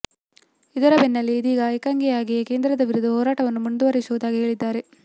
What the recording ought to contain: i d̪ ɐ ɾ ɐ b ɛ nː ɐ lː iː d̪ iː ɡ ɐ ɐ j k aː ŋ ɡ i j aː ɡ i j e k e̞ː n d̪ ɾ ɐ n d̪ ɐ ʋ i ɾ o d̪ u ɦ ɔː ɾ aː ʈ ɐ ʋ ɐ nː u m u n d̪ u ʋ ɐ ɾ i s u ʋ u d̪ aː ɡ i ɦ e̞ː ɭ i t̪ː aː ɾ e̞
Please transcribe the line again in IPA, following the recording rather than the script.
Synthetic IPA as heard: i d̪ ɐ ɾ ɐ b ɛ nː ɐ lː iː d̪ iː ɡ ɐ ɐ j k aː ŋ ɡ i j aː ɡ i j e k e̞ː n d̪ ɾ ɐ d̪ ɐ ʋ i ɾ u d̪ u ɦ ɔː ɾ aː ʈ ɐ ʋ ɐ nː u m u n d̪ u ʋ ɐ ɾ i s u ʋ u d̪ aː ɡ i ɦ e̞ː ɭ i d̪ː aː ɾ e̞

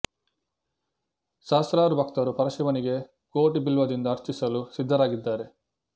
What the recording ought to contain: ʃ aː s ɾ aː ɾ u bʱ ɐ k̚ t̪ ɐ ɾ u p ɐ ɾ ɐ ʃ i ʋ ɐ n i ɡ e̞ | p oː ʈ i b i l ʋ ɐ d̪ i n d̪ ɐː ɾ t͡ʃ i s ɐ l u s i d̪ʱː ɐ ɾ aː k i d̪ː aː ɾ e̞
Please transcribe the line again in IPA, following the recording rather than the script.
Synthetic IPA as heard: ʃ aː s ɾ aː ɾ u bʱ ɐ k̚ t̪ ɐ ɾ u p ɐ ɾ ɐ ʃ i ʋ ɐ n i ɡ e̞ | k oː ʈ i b i l ʋ ɐ d̪ i n d̪ ɐː ɾ t͡ʃ i s ɐ l u s i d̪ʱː ɐ ɾ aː ɡ i d̪ː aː ɾ e̞

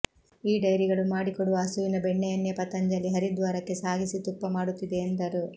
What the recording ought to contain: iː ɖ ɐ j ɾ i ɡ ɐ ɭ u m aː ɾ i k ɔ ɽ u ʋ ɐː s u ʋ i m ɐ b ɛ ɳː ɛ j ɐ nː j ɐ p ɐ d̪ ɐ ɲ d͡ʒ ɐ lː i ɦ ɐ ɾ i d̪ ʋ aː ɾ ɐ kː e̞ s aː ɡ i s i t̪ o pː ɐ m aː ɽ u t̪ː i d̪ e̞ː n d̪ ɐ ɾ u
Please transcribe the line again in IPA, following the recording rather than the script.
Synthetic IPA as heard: iː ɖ ɐ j ɾ i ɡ ɐ ɭ u m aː ɽ i k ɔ ɽ u ʋ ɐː s u ʋ i n ɐ b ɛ ɳː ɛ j ɐ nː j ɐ p ɐ t̪ ɐ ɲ d͡ʒ ɐ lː i ɦ ɐ ɾ i d̪ ʋ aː ɾ ɐ kː e̞ s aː ɡ i s i t̪ u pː ɐ m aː ɽ u t̪ː i d̪ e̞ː n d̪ ɐ ɾ u

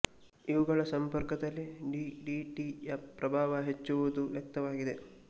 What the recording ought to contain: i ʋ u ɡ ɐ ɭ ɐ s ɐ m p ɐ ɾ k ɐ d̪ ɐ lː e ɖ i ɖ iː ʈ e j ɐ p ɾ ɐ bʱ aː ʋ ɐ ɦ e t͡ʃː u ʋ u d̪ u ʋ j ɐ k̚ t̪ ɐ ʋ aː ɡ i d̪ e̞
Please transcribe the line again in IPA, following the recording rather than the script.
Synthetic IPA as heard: i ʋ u ɡ ɐ ɭ ɐ s ɐ m p ɐ ɾ k ɐ d̪ ɐ lː i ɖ i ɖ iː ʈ i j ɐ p ɾ ɐ bʱ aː ʋ ɐ ɦ e t͡ʃː u ʋ u d̪ u ʋ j ɐ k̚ t̪ ɐ ʋ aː ɡ i d̪ e̞

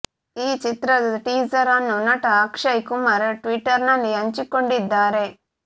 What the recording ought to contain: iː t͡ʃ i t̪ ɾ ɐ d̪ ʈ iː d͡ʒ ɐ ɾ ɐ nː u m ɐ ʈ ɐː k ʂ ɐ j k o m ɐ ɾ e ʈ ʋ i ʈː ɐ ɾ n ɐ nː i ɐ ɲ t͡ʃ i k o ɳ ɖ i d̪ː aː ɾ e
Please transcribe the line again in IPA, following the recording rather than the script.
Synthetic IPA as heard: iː t͡ʃ i t̪ ɾ ɐ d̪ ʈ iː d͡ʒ ɐ ɾ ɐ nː u n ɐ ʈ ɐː k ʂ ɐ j k u m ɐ ɾ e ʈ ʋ i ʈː ɐ ɾ n ɐ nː i ɐ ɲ t͡ʃ i k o ɳ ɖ i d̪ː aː ɾ e

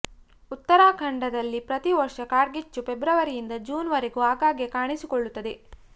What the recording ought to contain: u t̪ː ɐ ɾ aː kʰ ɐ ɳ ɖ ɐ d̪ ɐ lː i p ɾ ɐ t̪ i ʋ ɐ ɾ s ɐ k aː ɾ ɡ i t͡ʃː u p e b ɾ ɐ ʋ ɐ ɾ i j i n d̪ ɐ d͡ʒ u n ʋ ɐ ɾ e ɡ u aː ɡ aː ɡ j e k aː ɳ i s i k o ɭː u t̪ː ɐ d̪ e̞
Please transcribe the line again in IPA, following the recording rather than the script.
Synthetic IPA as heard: u t̪ː ɐ ɾ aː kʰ ɐ ɳ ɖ ɐ d̪ ɐ lː i p ɾ ɐ t̪ i ʋ ɐ ɾ ʂ ɐ k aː ɾ ɡ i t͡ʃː u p e b ɾ ɐ ʋ ɐ ɾ i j i n d̪ ɐ d͡ʒ uː n ʋ ɐ ɾ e ɡ u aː ɡ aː ɡ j e k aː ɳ i s i k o ɭː u t̪ː ɐ d̪ e̞

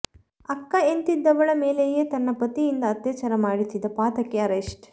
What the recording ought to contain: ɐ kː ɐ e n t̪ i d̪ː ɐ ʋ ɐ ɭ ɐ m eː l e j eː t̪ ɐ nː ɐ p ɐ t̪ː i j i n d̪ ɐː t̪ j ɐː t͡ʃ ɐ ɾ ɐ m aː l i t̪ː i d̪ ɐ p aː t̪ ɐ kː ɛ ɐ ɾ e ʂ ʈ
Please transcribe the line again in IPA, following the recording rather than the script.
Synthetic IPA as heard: ɐ kː ɐ e n t̪ i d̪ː ɐ ʋ ɐ ɭ ɐ m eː l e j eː t̪ ɐ nː ɐ p ɐ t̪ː i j i n d̪ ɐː t̪ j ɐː t͡ʃ ɐ ɾ ɐ m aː ɽ i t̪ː i d̪ ɐ p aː t̪ ɐ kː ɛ ɐ ɾ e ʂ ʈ

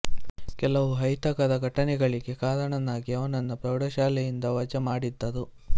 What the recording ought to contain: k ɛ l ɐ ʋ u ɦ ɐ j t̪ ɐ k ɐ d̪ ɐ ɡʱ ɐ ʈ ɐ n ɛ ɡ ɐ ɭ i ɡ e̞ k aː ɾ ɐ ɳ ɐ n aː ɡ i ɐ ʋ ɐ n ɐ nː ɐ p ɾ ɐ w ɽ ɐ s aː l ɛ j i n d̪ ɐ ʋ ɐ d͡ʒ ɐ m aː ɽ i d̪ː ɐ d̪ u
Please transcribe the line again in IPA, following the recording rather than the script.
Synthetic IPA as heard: k ɛ l ɐ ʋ u ɦ ɐ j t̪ ɐ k ɐ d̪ ɐ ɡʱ ɐ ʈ ɐ n ɛ ɡ ɐ ɭ i ɡ e̞ k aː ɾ ɐ ɳ ɐ n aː ɡ i ɐ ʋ ɐ n ɐ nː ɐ p ɾ ɐ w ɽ ɐ ʃ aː l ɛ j i n d̪ ɐ ʋ ɐ d͡ʒ ɐ m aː ɽ i d̪ː ɐ d̪ u

